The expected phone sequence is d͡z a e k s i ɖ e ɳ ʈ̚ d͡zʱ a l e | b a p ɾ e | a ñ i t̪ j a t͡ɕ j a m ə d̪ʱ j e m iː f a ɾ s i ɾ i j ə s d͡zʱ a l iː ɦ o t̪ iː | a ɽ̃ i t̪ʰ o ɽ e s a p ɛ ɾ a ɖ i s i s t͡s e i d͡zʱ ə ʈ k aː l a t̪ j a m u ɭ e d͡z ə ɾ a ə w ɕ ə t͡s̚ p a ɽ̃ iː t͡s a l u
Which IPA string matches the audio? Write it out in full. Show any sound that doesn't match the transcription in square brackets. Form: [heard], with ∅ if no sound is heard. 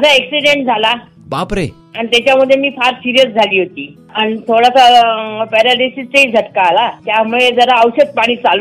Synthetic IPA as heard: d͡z a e k s i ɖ e ɳ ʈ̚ d͡zʱ a l [a] | b a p ɾ e | a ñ i t̪ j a t͡ɕ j a m ə d̪ʱ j e m iː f a ɾ s i ɾ i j ə s d͡zʱ a l iː ɦ o t̪ iː | a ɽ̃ i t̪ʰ o ɽ [a] s a p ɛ ɾ a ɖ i s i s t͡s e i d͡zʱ ə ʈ k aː l a t̪ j a m u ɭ e d͡z ə ɾ a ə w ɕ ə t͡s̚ p a ɽ̃ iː t͡s a l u